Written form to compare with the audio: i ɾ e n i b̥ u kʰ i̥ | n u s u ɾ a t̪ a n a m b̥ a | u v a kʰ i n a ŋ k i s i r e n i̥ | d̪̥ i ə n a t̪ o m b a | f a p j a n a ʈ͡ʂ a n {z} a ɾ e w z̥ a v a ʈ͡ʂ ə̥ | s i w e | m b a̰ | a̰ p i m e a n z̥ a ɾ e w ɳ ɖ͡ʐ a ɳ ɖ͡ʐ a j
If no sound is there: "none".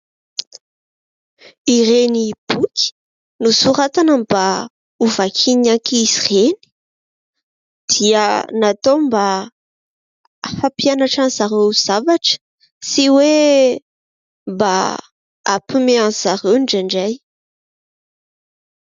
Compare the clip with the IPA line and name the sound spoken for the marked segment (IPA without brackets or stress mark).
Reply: z